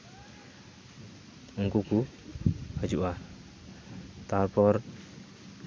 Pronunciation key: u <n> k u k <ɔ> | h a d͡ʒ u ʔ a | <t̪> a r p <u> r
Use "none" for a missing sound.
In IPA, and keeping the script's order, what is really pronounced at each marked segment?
ŋ, u, t̪, ɔ

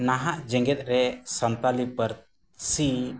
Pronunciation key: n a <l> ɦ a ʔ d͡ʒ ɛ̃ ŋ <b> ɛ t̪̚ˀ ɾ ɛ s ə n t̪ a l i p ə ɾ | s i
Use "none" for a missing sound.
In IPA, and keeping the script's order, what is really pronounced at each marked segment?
none, ɡ

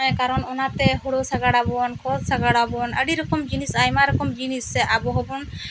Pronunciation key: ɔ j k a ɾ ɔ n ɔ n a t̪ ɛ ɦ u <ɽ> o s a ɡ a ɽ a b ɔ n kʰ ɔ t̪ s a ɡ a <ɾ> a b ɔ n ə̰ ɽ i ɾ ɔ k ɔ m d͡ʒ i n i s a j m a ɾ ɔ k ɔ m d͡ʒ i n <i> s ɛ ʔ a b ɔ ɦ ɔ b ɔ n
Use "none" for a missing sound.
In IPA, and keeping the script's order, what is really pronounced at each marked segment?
ɽ, ɽ, i

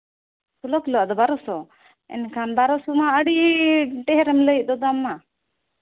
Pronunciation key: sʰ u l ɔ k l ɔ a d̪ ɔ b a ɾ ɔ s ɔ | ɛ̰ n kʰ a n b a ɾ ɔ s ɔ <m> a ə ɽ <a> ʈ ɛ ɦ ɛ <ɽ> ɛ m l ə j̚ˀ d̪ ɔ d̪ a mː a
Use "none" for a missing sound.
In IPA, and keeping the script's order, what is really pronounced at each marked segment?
m, i, ɾ

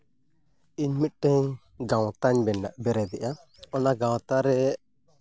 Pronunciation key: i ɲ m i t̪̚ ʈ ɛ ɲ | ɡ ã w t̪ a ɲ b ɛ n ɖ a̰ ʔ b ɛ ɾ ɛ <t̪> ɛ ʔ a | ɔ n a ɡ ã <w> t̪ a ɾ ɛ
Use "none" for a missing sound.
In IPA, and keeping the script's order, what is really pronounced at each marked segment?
d̪, w

